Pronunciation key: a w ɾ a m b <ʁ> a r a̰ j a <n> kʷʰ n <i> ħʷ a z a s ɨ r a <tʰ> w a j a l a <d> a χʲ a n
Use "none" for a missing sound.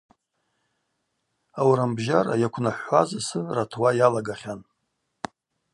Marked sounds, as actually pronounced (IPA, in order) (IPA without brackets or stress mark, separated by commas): ʒ, none, a, tʰ, ɡ